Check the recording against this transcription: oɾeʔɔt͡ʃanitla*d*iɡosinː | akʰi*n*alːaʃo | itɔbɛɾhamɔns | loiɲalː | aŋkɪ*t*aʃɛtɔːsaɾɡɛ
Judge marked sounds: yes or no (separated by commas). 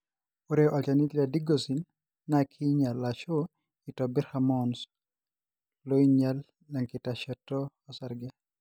yes, no, yes